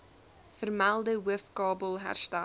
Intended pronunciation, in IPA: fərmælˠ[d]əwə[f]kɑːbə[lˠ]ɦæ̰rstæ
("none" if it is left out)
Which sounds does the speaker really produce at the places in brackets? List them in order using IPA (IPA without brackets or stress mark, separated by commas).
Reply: d, f, lˠ